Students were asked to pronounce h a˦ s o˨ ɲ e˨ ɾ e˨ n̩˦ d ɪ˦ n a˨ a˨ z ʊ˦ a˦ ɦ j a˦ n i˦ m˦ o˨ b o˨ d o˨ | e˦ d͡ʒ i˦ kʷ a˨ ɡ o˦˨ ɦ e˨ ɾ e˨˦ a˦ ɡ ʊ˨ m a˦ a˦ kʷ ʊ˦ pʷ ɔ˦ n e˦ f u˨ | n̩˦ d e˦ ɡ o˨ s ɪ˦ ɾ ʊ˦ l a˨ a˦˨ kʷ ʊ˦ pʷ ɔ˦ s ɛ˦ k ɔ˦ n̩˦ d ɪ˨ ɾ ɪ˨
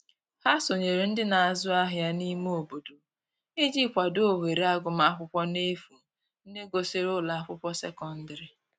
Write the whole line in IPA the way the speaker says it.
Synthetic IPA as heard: h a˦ s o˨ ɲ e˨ ɾ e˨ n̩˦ d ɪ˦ n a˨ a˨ z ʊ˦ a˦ ɦ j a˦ n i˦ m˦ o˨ b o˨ d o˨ | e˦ d͡ʒ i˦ kʷ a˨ d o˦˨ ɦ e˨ ɾ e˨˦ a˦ ɡ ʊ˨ m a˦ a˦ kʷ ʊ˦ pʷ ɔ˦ n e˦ f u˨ | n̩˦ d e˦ ɡ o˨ s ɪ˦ ɾ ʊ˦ l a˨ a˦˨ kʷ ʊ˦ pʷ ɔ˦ s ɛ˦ k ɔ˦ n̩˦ d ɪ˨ ɾ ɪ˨